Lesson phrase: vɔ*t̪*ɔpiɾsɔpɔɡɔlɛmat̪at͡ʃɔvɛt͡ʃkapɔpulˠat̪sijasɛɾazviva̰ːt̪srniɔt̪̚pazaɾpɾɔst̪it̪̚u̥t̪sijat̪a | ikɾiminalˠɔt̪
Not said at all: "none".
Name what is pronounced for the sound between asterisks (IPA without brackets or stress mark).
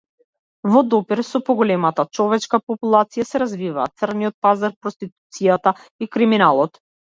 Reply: d̪